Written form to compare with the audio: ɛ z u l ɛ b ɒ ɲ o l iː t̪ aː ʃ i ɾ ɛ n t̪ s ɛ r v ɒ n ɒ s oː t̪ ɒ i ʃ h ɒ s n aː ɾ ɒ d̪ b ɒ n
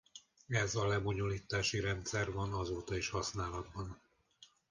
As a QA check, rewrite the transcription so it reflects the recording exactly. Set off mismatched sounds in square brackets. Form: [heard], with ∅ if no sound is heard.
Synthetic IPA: ɛ z [ɒ] l ɛ b [o] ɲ o l iː t̪ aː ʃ i ɾ ɛ n t̪ s ɛ r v ɒ n ɒ [z] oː t̪ ɒ i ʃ h ɒ s n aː [l] ɒ d̪ b ɒ n

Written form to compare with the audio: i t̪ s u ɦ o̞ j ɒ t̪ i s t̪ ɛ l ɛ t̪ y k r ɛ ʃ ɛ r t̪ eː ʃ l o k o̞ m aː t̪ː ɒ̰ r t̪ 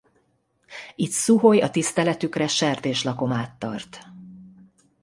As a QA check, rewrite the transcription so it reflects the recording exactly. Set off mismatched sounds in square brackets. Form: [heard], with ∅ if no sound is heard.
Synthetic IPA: i t̪ s u ɦ o̞ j ɒ t̪ i s t̪ ɛ l ɛ t̪ y k r ɛ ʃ ɛ r t̪ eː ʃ l [ɒ] k o̞ m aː t̪ː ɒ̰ r t̪

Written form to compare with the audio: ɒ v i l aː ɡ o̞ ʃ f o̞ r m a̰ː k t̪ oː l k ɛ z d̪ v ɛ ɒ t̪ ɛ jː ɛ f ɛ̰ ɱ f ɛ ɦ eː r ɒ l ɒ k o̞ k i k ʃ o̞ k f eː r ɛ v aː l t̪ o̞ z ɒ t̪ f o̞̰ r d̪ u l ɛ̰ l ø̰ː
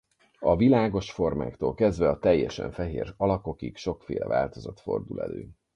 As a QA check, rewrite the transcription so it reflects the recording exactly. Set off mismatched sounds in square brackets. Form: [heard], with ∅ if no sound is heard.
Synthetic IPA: ɒ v i l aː ɡ o̞ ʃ f o̞ r m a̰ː k t̪ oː l k ɛ z d̪ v ɛ ɒ t̪ ɛ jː ɛ [ʃ] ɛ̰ ɱ f ɛ ɦ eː r ɒ l ɒ k o̞ k i k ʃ o̞ k f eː [l] ɛ v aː l t̪ o̞ z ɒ t̪ f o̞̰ r d̪ u l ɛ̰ l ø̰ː

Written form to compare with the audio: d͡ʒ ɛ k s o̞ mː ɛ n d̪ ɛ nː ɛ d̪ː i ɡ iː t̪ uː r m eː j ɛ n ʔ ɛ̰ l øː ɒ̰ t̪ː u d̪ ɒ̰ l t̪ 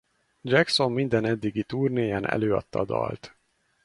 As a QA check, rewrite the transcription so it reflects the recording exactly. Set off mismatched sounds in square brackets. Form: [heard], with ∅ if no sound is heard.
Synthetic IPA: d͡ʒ ɛ k s o̞ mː [i] n d̪ ɛ [n] ɛ d̪ː i ɡ [i] t̪ uː r [n] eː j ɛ n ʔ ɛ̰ l øː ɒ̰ t̪ː [ɒ] d̪ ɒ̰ l t̪

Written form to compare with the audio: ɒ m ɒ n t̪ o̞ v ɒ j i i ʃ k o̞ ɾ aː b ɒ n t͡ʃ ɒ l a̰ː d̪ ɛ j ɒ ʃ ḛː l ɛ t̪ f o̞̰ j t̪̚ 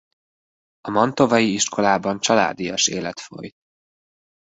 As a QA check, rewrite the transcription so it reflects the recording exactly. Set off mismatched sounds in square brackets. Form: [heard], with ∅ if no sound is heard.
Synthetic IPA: ɒ m ɒ n t̪ o̞ v ɒ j i i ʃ k o̞ [l] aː b ɒ n t͡ʃ ɒ l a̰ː d̪ [i] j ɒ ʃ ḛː l ɛ t̪ f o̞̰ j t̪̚

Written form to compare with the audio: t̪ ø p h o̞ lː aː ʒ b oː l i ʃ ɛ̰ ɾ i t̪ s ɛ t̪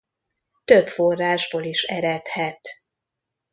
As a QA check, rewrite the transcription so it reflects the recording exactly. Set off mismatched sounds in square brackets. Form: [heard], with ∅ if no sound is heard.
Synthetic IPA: t̪ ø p [f] o̞ [rː] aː ʒ b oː l i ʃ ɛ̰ ɾ [ɛ] t̪ [h] ɛ t̪

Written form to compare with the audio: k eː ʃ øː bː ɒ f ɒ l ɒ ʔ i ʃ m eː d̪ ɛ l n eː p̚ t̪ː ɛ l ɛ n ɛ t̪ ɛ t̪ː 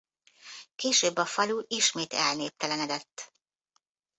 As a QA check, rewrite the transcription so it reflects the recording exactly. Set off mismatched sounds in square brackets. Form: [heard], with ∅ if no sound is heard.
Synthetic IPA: k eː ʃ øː bː ɒ f ɒ l [u] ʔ i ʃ m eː [t̪] ɛ l n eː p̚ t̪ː ɛ l ɛ n ɛ [d̪] ɛ t̪ː

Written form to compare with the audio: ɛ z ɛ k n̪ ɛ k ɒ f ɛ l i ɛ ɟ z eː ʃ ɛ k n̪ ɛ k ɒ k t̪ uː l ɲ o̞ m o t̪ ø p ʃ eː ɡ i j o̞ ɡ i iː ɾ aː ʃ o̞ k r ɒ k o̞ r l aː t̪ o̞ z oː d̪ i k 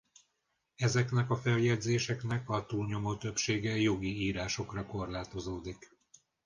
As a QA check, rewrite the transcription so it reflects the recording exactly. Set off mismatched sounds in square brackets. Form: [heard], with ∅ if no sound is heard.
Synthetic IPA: ɛ z ɛ k n̪ ɛ k ɒ f ɛ l [j] ɛ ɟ z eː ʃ ɛ k n̪ ɛ k ɒ [∅] t̪ uː l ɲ o̞ m o t̪ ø p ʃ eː ɡ [ɛ] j o̞ ɡ i iː ɾ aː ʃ o̞ k r ɒ k o̞ r l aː t̪ o̞ z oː d̪ i k

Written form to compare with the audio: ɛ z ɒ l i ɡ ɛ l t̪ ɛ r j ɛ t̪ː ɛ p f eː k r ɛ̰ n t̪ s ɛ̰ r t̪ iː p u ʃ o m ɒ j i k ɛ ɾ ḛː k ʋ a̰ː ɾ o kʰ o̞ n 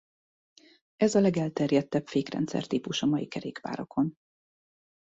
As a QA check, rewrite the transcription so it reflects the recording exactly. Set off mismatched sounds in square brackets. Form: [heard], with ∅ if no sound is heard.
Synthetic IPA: ɛ z ɒ l [ɛ] ɡ ɛ l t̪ ɛ r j ɛ t̪ː ɛ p f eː k r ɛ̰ n t̪ s ɛ̰ r t̪ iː p u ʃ [ɒ] m ɒ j i k ɛ ɾ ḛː k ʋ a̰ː ɾ o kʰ o̞ n

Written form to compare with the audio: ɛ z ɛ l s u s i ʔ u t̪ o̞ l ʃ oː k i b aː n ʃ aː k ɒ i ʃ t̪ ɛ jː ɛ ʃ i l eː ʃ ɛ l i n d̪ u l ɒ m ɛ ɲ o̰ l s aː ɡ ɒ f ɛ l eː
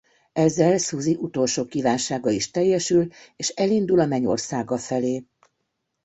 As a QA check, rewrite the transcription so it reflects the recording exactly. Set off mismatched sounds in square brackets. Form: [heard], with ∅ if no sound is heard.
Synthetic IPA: ɛ [zː] ɛ l s u [z] i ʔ u t̪ o̞ l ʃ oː k i [v] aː n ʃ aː [ɡ] ɒ i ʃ t̪ ɛ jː ɛ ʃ [y] l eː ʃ ɛ l i n d̪ u l ɒ m ɛ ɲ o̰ [r] s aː ɡ ɒ f ɛ l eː

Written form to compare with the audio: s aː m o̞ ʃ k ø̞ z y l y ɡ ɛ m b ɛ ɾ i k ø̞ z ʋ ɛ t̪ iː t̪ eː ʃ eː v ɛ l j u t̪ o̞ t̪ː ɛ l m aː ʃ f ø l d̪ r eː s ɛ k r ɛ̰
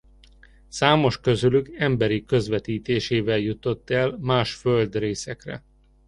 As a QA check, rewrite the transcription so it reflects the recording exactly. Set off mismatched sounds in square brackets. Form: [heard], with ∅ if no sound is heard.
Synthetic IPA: s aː m o̞ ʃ k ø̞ z y l y ɡ ɛ m b ɛ ɾ i k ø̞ z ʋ ɛ t̪ iː t̪ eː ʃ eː v ɛ l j u t̪ o̞ t̪ː ɛ l m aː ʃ f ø l d̪ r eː s ɛ k r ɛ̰

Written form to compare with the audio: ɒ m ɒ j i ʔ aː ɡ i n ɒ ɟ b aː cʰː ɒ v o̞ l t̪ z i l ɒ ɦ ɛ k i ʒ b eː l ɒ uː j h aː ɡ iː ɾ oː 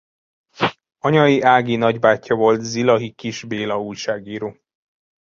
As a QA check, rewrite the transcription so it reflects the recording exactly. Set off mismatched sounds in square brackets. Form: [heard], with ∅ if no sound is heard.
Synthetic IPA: ɒ [ɲ] ɒ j i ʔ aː ɡ i n ɒ ɟ b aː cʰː ɒ v o̞ l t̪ z i l ɒ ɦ [i] k i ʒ b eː l ɒ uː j [ʃ] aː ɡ iː ɾ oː

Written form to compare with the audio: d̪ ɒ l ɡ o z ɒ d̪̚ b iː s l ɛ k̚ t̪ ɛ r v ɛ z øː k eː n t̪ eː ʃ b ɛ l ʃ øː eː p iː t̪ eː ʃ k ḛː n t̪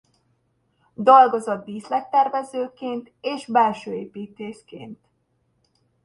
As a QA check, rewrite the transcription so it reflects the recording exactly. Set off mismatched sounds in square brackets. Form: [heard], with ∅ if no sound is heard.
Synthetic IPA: d̪ ɒ l ɡ o z ɒ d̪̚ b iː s l ɛ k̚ t̪ ɛ r v ɛ z øː k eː n t̪ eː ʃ b ɛ l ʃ øː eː p iː t̪ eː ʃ k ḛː n t̪

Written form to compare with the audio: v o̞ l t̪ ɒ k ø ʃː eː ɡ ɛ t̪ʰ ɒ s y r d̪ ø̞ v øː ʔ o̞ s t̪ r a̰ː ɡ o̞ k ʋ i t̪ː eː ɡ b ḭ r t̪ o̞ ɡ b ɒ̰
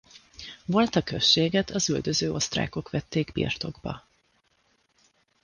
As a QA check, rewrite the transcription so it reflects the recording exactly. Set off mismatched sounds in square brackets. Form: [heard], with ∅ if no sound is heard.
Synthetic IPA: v o̞ l t̪ ɒ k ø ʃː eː ɡ ɛ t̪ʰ ɒ [z] y [l] d̪ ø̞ [z] øː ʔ o̞ s t̪ r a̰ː [k] o̞ k ʋ [ɛ] t̪ː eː ɡ b ḭ r t̪ o̞ ɡ b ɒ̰

